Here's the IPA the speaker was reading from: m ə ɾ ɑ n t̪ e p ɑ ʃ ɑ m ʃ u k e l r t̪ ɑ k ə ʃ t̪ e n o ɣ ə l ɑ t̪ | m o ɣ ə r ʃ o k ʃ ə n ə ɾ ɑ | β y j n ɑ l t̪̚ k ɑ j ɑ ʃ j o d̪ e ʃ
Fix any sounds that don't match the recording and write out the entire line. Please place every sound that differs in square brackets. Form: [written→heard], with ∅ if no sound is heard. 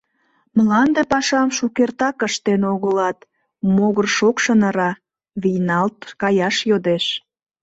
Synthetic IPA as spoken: m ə [ɾ→l] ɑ n [t̪→d̪] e p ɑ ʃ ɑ m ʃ u k e [l→∅] r t̪ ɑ k ə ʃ t̪ e n o ɣ ə l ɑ t̪ | m o ɣ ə r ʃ o k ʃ ə n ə ɾ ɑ | β [y→i] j n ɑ l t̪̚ k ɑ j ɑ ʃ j o d̪ e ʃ